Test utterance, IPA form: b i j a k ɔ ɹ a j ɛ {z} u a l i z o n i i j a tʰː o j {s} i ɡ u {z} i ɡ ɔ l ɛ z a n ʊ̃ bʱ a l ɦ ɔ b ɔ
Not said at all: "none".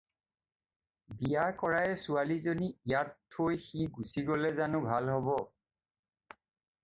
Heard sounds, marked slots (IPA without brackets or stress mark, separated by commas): s, x, s